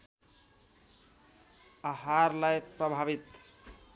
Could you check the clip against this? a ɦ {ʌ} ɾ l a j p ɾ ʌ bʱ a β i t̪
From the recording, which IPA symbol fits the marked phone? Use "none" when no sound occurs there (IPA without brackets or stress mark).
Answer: a